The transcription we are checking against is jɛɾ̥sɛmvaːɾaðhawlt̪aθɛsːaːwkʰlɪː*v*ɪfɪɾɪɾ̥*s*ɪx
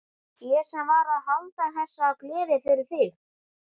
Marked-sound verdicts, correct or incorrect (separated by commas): incorrect, incorrect